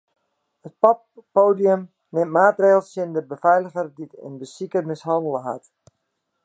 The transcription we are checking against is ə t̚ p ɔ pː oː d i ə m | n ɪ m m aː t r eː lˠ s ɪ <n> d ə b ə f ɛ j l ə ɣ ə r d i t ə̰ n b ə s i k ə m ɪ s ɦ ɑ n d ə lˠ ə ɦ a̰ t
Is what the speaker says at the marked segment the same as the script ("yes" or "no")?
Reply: yes